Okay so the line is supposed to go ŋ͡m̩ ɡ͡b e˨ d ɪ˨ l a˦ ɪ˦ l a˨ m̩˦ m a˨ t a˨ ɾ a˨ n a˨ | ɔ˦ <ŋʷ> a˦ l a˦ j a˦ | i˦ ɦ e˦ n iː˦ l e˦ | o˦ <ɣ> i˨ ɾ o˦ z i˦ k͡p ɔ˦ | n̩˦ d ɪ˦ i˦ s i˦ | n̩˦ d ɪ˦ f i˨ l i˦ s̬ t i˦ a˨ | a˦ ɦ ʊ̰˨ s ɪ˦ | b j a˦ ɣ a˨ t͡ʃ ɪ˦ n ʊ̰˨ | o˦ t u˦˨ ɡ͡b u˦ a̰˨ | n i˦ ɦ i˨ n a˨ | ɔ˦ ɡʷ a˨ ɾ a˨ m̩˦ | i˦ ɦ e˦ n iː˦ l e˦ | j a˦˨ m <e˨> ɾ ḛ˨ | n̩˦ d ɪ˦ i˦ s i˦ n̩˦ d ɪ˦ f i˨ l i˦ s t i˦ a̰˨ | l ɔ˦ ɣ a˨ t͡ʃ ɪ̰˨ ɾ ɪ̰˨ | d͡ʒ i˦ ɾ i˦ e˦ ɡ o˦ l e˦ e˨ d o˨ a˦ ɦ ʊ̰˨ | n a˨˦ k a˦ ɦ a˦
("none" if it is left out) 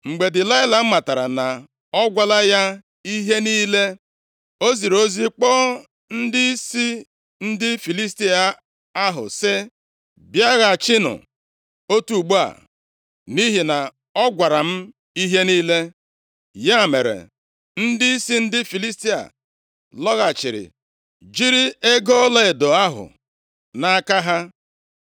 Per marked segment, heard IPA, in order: ɡʷ, z, e˨

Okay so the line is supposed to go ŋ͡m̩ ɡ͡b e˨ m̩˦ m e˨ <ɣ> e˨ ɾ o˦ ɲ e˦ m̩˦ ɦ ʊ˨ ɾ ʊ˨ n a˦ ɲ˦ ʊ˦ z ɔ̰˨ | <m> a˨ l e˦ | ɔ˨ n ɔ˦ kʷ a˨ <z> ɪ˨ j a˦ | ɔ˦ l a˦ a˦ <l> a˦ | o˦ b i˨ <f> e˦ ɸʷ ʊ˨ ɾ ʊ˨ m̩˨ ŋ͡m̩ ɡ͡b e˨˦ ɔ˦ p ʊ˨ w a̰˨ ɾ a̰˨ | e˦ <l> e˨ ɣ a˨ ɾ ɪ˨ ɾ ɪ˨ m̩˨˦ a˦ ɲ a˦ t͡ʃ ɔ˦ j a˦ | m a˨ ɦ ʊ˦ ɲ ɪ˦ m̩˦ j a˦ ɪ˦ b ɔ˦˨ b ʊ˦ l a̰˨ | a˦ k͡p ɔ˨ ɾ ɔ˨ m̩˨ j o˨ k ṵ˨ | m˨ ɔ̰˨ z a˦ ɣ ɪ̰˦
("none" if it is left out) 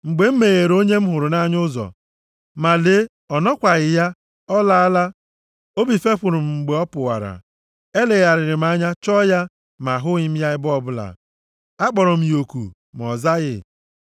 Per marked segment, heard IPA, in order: ɣ, m, ɣ, l, f, l

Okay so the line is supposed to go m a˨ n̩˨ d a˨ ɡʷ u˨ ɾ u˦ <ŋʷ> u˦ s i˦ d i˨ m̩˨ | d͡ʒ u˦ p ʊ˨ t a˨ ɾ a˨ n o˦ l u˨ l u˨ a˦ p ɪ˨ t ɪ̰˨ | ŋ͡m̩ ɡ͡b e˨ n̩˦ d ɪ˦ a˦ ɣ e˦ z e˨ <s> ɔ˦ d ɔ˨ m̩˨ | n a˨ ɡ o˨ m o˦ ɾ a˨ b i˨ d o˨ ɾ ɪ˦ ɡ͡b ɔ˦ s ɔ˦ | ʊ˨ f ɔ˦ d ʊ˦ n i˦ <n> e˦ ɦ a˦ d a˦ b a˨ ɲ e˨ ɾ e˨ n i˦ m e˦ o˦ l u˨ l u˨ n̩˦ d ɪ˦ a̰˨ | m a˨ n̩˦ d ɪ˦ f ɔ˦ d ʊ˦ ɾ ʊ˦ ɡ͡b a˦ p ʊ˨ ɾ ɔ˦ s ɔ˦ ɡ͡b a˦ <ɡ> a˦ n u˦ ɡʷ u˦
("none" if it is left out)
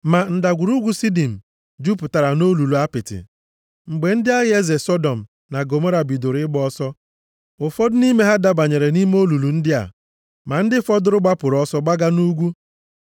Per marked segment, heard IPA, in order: ɡʷ, s, m, ɡ

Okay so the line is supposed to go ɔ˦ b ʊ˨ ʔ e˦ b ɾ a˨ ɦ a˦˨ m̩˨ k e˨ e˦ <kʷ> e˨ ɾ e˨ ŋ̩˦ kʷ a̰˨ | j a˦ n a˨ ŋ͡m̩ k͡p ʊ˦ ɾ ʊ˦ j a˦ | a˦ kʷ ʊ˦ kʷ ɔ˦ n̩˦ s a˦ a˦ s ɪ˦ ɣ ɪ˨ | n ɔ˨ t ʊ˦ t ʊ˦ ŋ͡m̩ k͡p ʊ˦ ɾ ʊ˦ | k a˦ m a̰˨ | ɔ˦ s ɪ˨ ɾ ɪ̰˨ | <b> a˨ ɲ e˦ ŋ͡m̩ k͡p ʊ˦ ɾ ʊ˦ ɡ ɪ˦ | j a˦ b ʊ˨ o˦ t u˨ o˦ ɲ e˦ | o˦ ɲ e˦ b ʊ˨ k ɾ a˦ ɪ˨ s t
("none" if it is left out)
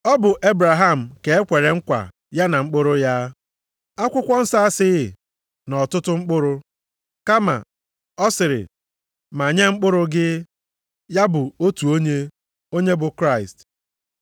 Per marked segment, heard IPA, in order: kʷ, m

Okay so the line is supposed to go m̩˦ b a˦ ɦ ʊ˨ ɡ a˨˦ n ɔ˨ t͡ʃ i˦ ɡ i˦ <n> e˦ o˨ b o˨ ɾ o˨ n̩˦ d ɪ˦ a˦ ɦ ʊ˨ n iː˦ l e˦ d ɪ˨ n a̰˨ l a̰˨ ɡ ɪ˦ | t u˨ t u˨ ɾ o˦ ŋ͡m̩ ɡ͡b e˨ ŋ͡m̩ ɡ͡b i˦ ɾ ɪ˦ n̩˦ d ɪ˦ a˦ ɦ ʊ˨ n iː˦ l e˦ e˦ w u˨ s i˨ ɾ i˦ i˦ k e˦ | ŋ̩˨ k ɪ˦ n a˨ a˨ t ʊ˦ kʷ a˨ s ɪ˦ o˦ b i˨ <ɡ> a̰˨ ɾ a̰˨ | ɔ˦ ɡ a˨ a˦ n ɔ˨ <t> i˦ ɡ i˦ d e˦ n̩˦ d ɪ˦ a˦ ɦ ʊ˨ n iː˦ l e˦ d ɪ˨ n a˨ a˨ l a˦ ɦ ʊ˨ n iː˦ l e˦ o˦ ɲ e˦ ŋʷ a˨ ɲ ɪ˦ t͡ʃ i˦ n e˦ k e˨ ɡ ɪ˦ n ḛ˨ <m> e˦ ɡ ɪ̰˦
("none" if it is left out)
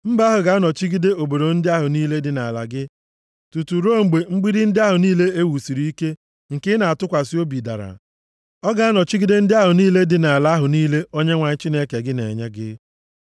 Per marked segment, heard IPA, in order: d, d, t͡ʃ, ɲ

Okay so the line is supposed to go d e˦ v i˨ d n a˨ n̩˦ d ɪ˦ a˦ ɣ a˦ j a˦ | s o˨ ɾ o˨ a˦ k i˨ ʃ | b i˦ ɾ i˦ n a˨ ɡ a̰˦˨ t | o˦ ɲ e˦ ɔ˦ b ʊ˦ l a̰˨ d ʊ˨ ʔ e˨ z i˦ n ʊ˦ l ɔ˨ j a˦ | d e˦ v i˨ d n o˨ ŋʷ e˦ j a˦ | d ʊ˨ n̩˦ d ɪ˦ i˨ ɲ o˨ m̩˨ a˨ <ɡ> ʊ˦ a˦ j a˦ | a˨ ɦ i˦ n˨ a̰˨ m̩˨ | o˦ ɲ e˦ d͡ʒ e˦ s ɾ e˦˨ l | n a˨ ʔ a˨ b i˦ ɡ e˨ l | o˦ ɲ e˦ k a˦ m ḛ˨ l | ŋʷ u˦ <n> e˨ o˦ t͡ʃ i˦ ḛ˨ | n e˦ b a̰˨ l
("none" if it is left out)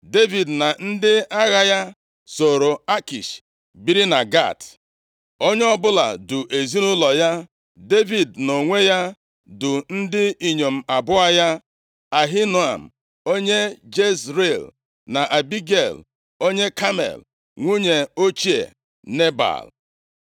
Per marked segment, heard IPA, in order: b, ɲ

